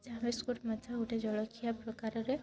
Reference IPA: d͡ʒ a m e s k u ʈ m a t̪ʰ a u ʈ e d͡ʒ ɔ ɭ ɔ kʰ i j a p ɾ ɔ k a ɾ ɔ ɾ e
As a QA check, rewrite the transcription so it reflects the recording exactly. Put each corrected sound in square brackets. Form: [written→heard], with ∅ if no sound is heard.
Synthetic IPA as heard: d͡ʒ a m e s k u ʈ m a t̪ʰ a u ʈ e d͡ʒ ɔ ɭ ɔ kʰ i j a p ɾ ɔ k a ɾ ɔ ɾ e